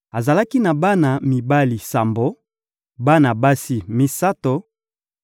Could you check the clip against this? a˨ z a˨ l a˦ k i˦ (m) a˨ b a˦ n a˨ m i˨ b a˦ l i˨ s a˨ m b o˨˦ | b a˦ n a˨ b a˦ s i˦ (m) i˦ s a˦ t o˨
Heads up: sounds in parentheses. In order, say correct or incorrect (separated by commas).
incorrect, correct